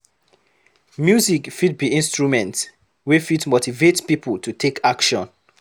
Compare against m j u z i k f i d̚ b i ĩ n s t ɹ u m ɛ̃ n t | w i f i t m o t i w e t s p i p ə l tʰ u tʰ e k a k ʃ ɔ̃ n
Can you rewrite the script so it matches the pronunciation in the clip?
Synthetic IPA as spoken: m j u z i k f i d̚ b i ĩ n s t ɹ u m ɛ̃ n t | w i f i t m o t i v e t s p i p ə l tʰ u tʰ e k a k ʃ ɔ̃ n